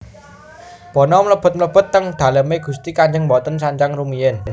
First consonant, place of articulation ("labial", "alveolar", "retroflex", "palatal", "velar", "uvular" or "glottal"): labial